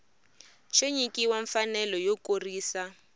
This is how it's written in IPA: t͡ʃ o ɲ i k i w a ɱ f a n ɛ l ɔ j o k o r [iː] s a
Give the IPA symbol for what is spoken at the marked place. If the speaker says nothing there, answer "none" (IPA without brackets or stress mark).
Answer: iː